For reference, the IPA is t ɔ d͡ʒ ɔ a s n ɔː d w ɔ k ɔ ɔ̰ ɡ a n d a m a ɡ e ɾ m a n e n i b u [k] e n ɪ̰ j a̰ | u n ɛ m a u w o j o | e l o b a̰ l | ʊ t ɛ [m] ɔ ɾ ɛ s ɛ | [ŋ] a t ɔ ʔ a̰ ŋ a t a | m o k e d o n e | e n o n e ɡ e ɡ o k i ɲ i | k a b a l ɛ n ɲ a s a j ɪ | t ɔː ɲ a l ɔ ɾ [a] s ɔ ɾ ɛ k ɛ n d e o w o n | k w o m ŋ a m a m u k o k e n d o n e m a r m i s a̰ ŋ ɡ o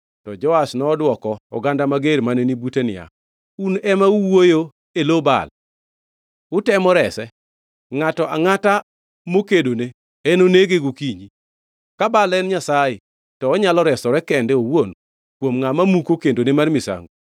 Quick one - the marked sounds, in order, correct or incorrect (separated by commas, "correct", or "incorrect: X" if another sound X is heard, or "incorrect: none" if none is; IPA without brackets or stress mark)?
incorrect: t, correct, correct, incorrect: ɛ